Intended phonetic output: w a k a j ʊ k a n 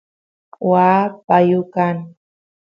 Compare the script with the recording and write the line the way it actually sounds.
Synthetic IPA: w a p a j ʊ k a n